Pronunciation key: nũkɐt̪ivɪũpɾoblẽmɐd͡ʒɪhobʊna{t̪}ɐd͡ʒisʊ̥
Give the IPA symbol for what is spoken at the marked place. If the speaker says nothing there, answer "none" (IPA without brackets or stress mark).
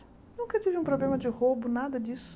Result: d̪